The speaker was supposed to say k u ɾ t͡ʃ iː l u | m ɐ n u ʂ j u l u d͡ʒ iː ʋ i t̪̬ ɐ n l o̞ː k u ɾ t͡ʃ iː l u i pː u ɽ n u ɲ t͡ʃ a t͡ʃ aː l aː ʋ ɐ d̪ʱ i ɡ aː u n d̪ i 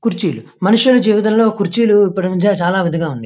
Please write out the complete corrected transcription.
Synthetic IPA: k u ɾ t͡ʃ iː l u | m ɐ n u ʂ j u l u d͡ʒ iː ʋ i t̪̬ ɐ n l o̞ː k u ɾ t͡ʃ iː l u i pː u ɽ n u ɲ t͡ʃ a t͡ʃ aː l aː ʋ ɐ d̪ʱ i ɡ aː u n d̪ i